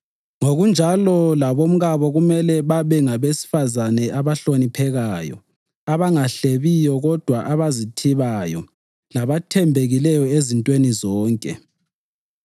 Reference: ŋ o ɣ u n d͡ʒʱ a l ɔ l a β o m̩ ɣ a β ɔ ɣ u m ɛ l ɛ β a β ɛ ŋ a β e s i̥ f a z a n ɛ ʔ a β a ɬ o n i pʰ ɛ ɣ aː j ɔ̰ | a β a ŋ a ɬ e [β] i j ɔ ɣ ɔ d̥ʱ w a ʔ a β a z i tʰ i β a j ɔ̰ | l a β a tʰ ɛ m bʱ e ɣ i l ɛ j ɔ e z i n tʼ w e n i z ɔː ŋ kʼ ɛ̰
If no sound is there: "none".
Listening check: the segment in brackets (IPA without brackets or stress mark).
β